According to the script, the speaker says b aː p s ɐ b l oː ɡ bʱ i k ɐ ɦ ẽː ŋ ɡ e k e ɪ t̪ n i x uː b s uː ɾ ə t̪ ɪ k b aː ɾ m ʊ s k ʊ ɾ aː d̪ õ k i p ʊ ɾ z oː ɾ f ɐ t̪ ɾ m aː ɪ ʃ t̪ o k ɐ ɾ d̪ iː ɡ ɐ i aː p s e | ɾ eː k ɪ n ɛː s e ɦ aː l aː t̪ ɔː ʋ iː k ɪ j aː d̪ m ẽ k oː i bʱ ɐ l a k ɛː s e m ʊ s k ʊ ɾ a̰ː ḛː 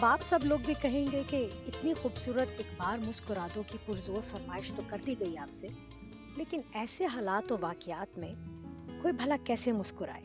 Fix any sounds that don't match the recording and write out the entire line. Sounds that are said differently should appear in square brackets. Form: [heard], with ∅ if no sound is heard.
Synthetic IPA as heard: b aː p s ɐ b l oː ɡ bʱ i k ɐ ɦ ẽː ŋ ɡ e k e ɪ t̪ n i x uː b s uː ɾ ə t̪ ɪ k b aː ɾ m ʊ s k ʊ ɾ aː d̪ õ k i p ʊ ɾ z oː ɾ f ɐ [∅] ɾ m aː ɪ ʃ t̪ o k ɐ ɾ d̪ [i] ɡ ɐ i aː p s e | [l] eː k ɪ n ɛː s e ɦ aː l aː t̪ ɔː ʋ [aː] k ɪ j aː [t̪] m ẽ k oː i bʱ ɐ l a k ɛː s e m ʊ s k ʊ ɾ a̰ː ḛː